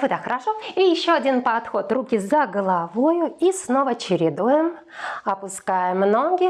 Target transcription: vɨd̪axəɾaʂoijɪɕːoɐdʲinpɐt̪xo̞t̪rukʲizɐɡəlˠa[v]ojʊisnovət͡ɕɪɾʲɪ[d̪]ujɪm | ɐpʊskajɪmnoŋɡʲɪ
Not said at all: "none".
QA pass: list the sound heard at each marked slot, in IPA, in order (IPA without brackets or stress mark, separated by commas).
v, d̪